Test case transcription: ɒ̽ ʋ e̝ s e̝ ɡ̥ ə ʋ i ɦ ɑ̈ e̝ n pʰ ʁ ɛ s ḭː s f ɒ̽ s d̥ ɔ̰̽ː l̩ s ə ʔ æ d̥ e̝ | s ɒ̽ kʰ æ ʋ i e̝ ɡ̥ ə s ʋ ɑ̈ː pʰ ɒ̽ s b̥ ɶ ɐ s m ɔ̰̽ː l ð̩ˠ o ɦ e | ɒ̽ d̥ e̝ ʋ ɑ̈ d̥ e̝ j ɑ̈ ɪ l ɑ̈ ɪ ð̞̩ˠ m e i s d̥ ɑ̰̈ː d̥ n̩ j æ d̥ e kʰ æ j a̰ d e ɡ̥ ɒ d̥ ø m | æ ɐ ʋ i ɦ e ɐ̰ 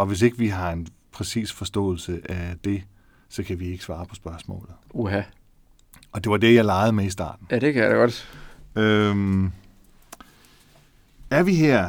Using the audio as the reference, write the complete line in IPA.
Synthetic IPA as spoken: ɒ̽ ʋ e̝ s e̝ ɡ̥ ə ʋ i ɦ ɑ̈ e̝ n pʰ ʁ ɛ s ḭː s f ɒ̽ s d̥ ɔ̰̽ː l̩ s ə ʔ æ d̥ e̝ | s ɒ̽ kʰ æ ʋ i e̝ ɡ̥ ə s ʋ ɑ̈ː pʰ ɒ̽ s b̥ ɶ ɐ s m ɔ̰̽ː l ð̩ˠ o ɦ æ | ɒ̽ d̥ e̝ ʋ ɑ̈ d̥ e̝ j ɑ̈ ɪ l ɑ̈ ɪ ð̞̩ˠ m e i s d̥ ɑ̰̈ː d̥ n̩ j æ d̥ e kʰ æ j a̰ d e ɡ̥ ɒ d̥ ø m | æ ɐ ʋ i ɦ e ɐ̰